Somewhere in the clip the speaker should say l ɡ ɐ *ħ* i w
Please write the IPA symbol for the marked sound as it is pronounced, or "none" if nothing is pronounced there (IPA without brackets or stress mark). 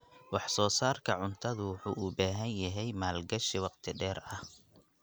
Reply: ʃ